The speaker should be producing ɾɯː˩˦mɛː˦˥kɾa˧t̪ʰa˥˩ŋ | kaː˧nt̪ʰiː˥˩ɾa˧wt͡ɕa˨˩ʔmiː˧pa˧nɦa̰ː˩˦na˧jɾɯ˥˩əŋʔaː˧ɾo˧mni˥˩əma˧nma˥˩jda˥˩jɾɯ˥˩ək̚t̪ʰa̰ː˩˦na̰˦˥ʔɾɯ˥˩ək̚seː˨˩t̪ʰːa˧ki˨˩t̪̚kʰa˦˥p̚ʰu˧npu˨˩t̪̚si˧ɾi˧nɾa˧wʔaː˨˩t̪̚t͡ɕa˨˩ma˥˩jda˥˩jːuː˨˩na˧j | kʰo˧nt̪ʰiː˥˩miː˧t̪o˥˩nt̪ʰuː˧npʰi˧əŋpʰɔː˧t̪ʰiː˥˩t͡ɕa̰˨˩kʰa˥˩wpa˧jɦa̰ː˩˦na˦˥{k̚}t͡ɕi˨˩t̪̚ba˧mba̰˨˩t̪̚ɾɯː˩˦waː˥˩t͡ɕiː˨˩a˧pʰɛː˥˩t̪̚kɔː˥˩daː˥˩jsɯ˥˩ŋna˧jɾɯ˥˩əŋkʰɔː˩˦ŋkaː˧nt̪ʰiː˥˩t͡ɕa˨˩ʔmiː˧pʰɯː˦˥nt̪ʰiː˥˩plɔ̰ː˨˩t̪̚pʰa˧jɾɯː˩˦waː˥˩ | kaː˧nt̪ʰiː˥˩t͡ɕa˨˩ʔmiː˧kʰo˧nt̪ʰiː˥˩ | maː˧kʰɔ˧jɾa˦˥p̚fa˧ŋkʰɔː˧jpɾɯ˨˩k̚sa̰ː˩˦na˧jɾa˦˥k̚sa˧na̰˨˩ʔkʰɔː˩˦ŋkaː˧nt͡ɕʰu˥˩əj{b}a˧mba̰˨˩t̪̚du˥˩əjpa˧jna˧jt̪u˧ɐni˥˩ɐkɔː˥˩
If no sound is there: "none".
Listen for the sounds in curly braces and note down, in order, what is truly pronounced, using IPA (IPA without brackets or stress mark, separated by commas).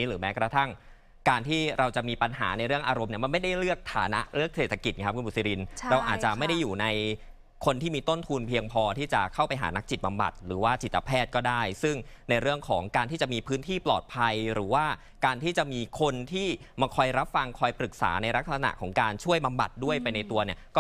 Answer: k̚, b